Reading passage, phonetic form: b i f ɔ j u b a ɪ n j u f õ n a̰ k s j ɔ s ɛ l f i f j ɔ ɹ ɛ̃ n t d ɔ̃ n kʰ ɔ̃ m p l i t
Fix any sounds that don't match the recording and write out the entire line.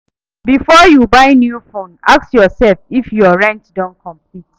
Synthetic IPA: b i f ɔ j u b a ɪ n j u f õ n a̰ k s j ɔ s ɛ l f i f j ɔ ɹ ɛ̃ n t d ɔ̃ n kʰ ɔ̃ m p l i t